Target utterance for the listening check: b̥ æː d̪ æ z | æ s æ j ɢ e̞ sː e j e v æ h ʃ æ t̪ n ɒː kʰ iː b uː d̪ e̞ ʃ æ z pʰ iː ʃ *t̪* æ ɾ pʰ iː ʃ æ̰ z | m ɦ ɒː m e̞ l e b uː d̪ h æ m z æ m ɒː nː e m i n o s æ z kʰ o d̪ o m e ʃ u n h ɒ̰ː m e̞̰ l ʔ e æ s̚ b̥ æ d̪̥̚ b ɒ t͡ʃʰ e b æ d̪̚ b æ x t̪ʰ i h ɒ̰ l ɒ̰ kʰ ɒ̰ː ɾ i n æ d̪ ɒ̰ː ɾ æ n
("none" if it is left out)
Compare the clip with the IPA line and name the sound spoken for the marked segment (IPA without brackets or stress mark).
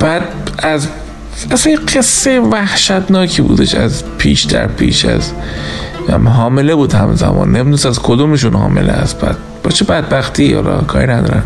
d̪